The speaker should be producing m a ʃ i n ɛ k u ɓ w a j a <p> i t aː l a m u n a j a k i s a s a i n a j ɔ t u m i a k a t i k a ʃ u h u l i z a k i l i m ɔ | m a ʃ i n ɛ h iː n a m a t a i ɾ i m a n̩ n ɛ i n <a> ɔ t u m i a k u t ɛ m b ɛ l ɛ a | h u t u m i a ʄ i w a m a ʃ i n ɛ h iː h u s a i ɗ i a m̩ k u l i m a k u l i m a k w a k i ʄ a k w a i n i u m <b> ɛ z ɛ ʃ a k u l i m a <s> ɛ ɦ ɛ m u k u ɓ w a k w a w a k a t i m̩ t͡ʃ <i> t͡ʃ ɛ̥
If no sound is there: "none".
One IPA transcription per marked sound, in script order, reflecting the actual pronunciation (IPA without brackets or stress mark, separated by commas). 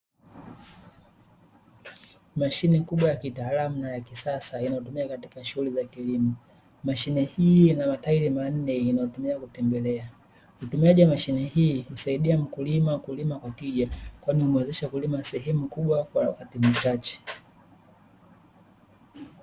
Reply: k, a, w, s, a